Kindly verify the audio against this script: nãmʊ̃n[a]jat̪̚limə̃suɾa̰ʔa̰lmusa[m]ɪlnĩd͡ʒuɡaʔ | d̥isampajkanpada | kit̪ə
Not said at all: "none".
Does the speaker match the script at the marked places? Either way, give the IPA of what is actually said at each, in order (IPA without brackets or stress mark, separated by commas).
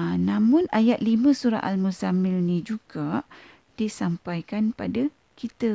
a, m